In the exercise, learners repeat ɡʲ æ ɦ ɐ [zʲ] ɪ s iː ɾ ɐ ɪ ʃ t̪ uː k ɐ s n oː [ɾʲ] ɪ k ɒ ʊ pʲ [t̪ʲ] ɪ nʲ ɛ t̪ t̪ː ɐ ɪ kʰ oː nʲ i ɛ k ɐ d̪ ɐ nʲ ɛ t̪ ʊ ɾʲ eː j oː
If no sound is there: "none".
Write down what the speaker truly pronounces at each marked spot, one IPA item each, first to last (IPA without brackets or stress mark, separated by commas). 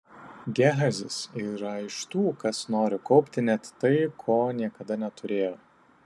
zʲ, ɾʲ, t̪ʲ